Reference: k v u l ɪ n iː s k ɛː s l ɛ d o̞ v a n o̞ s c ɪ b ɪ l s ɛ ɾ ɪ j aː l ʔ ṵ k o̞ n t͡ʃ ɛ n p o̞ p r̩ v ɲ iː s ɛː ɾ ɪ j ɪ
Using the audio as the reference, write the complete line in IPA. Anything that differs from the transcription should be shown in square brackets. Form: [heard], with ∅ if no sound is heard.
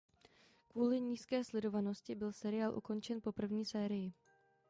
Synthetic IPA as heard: k v [uː] l ɪ [ɲ] iː s k ɛː s l ɛ d o̞ v a n o̞ s c ɪ b ɪ l s ɛ ɾ ɪ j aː l ʔ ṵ k o̞ n t͡ʃ ɛ n p o̞ p r̩ v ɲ iː s ɛː ɾ ɪ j ɪ